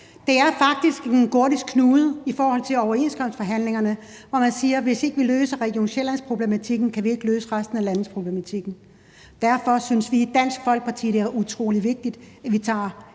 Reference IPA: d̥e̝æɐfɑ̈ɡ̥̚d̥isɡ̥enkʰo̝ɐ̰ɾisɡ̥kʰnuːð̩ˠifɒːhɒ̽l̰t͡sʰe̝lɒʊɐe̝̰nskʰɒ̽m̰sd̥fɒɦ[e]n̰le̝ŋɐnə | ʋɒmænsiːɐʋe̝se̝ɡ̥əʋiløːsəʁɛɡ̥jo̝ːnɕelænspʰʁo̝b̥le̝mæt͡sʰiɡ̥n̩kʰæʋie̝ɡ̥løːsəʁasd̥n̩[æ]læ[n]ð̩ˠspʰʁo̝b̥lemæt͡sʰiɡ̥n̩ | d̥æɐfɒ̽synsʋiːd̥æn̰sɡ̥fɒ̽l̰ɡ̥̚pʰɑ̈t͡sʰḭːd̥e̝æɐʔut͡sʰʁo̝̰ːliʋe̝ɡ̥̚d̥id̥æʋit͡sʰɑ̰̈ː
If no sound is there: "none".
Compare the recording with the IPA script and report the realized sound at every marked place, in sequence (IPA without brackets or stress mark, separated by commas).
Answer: æ, æ, n